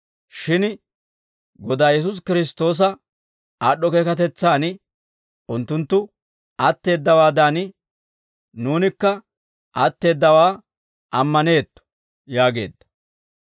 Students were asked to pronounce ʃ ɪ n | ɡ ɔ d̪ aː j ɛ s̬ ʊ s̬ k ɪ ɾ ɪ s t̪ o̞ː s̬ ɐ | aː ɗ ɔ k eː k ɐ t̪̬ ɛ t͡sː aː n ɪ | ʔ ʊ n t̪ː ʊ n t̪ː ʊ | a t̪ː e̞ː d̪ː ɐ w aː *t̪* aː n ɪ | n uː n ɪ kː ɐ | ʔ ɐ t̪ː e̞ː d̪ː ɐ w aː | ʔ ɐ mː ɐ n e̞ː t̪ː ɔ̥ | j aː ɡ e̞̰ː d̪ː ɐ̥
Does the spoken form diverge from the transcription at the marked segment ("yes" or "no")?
yes